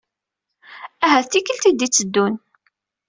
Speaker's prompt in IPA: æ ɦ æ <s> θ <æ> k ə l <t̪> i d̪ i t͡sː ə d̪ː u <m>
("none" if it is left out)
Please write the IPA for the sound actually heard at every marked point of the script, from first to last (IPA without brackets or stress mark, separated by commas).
θ, i, t̪, n